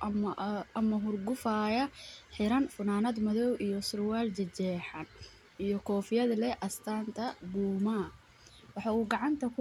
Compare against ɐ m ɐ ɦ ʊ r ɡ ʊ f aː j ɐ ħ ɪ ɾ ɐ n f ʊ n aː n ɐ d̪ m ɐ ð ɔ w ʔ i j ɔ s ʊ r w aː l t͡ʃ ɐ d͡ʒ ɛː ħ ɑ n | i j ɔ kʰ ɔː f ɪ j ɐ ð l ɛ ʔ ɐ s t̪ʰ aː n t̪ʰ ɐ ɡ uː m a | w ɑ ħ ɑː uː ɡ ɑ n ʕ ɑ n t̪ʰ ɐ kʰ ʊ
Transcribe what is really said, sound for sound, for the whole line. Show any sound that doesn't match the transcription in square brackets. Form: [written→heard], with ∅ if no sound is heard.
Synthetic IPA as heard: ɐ m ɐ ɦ ʊ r ɡ ʊ f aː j ɐ ħ ɪ ɾ ɐ n f ʊ n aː n ɐ d̪ m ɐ ð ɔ w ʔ i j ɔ s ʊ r w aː l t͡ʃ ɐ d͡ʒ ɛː ħ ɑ n | i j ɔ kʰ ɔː f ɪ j ɐ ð l ɛ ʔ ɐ s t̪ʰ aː n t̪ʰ ɐ [ɡ→b] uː m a | w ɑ ħ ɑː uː ɡ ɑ [n→∅] ʕ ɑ n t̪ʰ ɐ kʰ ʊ